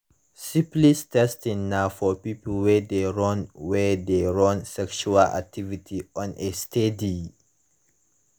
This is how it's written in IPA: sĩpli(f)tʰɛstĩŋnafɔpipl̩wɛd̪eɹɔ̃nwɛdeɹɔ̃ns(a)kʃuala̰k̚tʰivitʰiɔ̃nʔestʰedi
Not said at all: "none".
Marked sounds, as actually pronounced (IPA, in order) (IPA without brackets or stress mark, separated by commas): s, ɛ